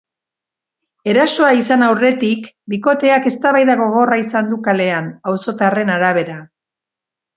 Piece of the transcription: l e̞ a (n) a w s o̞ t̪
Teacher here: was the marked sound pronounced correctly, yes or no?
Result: yes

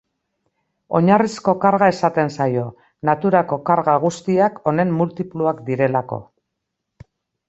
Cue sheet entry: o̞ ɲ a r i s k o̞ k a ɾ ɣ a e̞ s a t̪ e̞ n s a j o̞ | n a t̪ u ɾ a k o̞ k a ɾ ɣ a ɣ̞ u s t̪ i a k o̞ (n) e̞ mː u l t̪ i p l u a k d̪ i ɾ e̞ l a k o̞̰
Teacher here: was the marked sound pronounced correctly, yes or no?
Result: yes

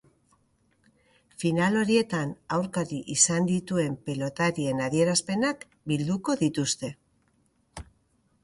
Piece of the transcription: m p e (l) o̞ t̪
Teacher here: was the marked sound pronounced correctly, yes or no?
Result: yes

